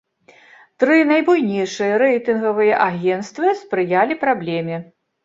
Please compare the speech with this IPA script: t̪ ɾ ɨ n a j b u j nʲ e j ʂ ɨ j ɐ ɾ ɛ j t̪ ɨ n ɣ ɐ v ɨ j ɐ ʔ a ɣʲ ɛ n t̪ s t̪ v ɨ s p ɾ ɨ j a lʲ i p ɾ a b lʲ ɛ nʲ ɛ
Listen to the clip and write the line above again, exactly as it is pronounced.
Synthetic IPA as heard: t̪ ɾ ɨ n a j b u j nʲ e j ʂ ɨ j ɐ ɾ ɛ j t̪ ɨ n ɣ ɐ v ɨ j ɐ ʔ a ɣʲ ɛ n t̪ s t̪ v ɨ s p ɾ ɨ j a lʲ i p ɾ a b lʲ ɛ mʲ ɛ